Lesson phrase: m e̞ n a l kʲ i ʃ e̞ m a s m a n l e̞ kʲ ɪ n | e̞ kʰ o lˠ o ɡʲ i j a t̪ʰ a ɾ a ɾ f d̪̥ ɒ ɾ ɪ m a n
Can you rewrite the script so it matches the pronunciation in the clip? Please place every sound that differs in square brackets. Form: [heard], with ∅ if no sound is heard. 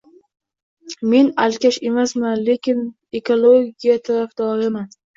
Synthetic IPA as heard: m e̞ n a l kʲ [a] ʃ e̞ m a s m a n l e̞ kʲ ɪ n | e̞ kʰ o lˠ o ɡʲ i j a t̪ʰ a ɾ a [∅] f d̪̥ ɒ ɾ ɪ m a n